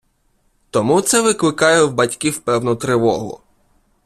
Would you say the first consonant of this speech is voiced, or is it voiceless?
voiceless